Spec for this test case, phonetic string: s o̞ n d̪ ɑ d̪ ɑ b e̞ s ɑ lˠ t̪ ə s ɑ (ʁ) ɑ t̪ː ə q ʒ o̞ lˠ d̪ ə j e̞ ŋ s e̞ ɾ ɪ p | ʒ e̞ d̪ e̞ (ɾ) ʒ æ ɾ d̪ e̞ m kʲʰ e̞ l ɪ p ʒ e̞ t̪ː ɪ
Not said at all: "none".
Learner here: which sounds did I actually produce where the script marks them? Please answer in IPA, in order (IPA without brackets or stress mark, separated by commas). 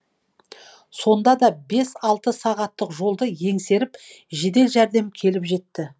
ʁ, l